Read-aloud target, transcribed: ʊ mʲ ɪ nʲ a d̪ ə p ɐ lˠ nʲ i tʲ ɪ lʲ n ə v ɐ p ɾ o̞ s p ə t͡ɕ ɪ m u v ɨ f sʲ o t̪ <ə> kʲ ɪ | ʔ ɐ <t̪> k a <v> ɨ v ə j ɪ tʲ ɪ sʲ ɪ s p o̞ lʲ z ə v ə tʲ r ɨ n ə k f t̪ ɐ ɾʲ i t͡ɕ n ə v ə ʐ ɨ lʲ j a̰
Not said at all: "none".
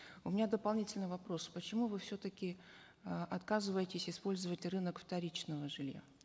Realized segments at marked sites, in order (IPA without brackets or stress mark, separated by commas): ə, t̪, z